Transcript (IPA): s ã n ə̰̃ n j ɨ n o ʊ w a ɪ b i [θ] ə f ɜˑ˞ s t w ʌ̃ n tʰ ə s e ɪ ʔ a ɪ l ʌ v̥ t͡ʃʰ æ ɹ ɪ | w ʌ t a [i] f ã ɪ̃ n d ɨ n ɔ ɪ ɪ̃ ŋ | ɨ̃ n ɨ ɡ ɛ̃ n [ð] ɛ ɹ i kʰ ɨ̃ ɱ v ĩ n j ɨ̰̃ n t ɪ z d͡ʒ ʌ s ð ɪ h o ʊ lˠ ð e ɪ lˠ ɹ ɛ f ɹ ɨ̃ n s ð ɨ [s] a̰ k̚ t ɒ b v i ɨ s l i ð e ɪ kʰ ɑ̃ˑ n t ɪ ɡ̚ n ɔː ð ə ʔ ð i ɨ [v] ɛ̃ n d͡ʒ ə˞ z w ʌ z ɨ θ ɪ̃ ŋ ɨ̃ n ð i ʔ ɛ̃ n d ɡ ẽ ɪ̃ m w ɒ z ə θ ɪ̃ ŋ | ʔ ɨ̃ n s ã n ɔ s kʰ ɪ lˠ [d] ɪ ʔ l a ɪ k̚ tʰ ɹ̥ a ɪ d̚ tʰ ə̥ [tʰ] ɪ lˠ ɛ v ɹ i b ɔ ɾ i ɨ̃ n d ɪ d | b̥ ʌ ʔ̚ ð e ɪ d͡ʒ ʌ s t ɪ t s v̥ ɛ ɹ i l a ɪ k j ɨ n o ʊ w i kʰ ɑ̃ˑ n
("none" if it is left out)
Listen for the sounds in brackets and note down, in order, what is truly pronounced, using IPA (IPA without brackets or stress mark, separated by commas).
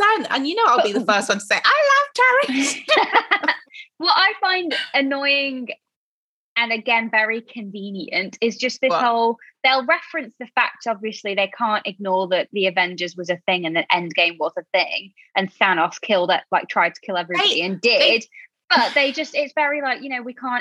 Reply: ð, ɪ, v, f, v, d, kʰ